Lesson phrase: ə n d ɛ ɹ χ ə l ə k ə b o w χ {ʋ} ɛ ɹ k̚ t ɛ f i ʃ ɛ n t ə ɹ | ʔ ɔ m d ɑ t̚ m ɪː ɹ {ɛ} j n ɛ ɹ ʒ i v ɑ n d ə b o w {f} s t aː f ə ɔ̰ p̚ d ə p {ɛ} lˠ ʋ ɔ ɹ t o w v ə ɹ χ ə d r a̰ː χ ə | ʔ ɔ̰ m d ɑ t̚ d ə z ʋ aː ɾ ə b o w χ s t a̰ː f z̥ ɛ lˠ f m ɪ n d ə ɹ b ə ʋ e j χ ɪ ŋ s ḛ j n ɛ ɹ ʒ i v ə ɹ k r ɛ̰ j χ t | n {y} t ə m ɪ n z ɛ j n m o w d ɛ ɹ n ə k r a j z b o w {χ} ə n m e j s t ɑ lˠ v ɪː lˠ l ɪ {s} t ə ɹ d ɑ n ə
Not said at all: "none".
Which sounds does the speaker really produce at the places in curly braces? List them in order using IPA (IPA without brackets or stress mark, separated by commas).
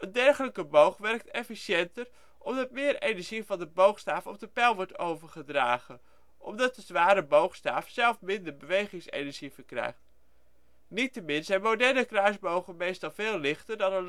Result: ʋ, e, χ, ɛ, i, χ, χ